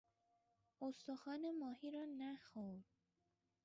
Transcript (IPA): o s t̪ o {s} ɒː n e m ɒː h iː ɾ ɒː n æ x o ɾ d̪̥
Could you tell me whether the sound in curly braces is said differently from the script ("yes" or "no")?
yes